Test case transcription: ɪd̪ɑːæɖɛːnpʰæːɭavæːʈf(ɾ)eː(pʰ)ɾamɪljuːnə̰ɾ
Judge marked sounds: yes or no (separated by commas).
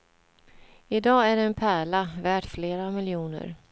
no, no